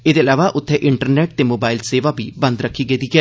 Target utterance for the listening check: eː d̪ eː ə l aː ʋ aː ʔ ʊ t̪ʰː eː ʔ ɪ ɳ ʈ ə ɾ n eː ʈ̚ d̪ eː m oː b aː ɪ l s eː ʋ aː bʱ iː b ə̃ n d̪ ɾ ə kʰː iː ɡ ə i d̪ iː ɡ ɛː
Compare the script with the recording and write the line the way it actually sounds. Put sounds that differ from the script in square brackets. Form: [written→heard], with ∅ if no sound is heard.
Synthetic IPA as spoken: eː d̪ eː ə l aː ʋ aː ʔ ʊ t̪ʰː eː ʔ ɪ ɳ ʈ ə ɾ n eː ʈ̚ [d̪→t̪] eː m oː b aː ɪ l s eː ʋ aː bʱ iː b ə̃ n d̪ ɾ ə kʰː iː ɡ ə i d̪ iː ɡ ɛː

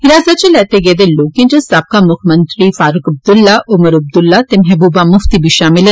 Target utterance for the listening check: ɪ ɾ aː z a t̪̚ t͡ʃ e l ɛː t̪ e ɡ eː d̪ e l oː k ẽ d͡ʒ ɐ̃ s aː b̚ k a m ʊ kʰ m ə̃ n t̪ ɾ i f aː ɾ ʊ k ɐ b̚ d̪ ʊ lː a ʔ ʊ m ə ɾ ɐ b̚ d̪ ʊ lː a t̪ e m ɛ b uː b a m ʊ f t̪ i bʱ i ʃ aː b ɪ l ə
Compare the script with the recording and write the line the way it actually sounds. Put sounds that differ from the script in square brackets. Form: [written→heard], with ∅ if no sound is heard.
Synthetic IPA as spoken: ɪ ɾ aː z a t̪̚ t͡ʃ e l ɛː t̪ e ɡ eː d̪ e l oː k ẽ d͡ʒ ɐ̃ s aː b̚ k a m ʊ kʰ m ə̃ n t̪ ɾ i f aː ɾ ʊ k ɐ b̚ d̪ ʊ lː a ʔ ʊ m ə ɾ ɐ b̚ d̪ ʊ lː a t̪ e m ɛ b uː b a m ʊ f t̪ i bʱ i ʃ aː [b→m] ɪ l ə

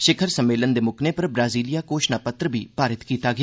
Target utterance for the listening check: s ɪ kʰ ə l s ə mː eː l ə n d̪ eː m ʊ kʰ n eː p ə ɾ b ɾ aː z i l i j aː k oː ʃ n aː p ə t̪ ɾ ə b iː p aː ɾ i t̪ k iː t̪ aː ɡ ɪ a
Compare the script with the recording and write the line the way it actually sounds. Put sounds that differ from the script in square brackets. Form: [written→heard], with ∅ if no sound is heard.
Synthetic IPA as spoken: [s→ʃ] ɪ kʰ ə [l→ɾ] s ə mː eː l ə n d̪ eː m ʊ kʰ n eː p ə ɾ b ɾ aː z [i→iː] l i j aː k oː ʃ n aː p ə t̪ ɾ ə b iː p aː ɾ [i→ɪ] t̪ k iː t̪ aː ɡ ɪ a

